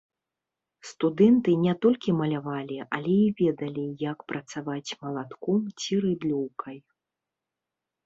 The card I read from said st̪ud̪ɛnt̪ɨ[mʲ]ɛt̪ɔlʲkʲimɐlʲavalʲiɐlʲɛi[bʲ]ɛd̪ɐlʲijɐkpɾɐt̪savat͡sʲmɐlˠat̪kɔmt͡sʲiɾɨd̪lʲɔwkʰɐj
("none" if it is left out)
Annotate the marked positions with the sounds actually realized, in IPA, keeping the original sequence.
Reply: nʲ, vʲ

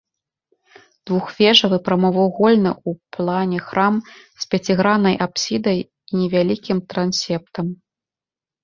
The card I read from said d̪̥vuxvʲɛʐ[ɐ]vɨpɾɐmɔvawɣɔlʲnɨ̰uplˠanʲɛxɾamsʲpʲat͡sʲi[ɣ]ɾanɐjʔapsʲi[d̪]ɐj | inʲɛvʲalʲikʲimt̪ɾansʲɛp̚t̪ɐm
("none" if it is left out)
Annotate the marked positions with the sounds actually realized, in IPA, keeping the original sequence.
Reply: ɐ, ɣ, d̪

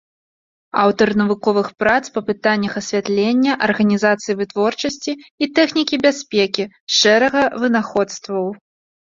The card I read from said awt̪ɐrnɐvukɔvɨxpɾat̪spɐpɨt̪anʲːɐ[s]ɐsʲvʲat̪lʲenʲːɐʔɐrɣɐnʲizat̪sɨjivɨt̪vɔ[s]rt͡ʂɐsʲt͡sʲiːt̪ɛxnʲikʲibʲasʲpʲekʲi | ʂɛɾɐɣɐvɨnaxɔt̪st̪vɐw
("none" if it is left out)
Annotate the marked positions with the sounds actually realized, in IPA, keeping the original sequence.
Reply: x, none

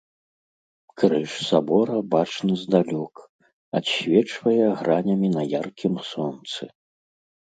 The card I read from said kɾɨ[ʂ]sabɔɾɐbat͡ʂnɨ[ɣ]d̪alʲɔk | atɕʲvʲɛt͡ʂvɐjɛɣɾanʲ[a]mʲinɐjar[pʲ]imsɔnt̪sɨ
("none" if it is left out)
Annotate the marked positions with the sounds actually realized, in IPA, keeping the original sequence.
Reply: ʂ, z, ɐ, kʲ

